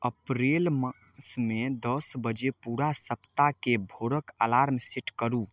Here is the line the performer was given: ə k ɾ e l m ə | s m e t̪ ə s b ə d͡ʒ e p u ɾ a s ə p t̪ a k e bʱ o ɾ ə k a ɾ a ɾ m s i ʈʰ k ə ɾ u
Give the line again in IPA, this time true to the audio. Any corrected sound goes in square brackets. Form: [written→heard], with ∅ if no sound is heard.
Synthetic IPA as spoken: ə [k→p] ɾ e l m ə | s m e [t̪→d̪] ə s b ə d͡ʒ e p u ɾ a s ə p t̪ a k e bʱ o ɾ ə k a [ɾ→l] a ɾ m s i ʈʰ k ə ɾ u